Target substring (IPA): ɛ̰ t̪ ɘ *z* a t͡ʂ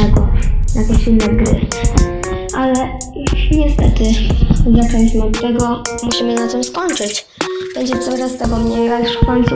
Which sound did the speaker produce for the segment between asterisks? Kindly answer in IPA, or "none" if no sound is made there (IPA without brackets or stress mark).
z